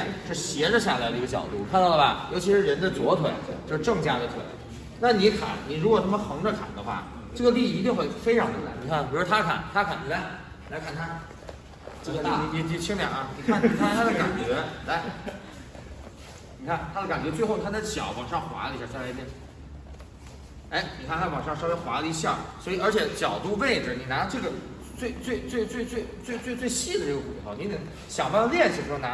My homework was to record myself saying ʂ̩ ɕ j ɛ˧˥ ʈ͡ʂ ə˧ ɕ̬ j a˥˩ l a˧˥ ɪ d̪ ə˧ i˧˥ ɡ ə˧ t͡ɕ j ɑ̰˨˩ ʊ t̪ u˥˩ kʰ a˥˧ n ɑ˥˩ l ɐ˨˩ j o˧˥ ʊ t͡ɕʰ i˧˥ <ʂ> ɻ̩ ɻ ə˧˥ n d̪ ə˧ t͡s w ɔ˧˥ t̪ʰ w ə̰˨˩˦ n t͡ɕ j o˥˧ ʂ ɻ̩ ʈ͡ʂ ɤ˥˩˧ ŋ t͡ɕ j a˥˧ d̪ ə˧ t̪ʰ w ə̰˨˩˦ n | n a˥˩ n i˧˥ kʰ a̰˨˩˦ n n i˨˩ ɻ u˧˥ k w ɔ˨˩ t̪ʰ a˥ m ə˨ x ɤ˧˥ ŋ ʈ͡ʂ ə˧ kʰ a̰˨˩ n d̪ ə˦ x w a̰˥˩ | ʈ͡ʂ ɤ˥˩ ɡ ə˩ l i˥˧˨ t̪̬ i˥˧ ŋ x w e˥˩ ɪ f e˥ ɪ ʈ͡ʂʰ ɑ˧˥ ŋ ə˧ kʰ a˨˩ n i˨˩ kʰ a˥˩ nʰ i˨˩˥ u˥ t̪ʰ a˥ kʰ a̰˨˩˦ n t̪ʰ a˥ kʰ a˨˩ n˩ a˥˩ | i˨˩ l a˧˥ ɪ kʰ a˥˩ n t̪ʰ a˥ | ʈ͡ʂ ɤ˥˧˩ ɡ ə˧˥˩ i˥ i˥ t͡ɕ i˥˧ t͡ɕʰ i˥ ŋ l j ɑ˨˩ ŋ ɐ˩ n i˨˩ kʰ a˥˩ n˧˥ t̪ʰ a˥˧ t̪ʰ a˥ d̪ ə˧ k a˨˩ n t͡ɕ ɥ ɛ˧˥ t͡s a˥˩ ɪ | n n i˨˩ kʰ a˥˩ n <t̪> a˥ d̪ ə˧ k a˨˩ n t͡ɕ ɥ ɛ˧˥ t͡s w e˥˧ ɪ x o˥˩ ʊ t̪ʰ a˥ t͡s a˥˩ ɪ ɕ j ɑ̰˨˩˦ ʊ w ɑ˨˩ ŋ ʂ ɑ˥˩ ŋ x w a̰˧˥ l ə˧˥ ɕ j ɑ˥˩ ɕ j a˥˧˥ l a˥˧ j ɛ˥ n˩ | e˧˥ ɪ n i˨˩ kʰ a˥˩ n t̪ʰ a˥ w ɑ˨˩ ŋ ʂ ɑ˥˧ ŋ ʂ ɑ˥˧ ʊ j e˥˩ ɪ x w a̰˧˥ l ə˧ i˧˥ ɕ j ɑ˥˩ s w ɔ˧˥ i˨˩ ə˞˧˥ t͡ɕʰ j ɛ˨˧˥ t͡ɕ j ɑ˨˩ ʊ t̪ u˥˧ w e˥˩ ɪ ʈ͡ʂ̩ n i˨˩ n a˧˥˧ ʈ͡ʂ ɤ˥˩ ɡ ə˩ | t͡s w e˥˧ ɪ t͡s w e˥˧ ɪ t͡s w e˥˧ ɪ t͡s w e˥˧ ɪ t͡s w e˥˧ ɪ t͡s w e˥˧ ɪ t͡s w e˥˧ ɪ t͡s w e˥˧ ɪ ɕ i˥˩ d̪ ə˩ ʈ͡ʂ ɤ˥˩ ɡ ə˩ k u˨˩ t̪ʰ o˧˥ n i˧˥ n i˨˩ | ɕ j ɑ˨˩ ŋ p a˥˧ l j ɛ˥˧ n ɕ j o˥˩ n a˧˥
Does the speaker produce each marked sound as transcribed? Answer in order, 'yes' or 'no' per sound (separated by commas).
yes, no